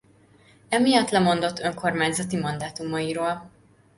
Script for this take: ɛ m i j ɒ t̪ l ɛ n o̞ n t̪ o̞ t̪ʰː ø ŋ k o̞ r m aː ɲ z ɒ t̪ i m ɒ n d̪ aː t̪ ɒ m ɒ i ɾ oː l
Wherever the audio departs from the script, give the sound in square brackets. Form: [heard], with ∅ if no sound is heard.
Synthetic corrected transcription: ɛ m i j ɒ t̪ l ɛ [m] o̞ n [d̪] o̞ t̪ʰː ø ŋ k o̞ r m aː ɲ z ɒ t̪ i m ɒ n d̪ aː t̪ [u] m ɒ i ɾ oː l